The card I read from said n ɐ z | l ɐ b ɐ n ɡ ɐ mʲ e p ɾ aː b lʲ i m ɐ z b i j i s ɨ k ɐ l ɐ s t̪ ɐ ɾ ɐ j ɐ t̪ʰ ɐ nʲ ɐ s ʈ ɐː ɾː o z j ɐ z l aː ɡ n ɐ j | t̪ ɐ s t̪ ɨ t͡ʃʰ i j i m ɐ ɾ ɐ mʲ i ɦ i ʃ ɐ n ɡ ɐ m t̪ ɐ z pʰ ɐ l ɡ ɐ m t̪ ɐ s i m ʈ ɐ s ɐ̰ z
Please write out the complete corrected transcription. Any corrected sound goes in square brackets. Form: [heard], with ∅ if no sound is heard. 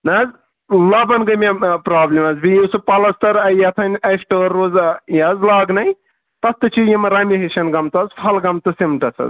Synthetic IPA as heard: n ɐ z | l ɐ b ɐ n ɡ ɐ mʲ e p ɾ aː b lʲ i m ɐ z b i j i s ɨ [p] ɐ l ɐ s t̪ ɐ ɾ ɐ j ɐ t̪ʰ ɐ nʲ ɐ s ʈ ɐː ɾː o z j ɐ z l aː ɡ n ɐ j | t̪ ɐ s t̪ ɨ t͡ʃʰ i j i m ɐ ɾ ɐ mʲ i ɦ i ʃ ɐ n ɡ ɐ m t̪ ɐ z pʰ ɐ l ɡ ɐ m t̪ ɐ s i m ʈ ɐ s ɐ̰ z